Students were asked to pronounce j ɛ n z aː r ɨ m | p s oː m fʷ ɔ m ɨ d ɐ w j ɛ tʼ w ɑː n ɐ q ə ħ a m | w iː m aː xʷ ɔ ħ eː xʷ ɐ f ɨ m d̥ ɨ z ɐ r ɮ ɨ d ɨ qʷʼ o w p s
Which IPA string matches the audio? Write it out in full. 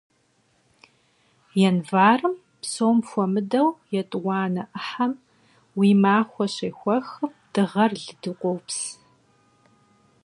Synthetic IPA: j ɛ n v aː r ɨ m | p s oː m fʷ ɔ m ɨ d ɐ w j ɛ tʼ w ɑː n ɐ ʔ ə ħ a m | w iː m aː xʷ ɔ ɕ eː xʷ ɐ x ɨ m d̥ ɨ ʁ ɐ r ɮ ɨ d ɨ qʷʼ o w p s